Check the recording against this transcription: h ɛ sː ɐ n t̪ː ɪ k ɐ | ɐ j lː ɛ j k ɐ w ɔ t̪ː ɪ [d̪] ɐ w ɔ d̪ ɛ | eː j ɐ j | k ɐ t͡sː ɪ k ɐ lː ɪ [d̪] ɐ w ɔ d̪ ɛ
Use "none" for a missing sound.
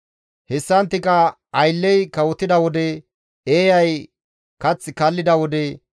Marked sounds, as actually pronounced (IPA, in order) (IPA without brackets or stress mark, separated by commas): d̪, d̪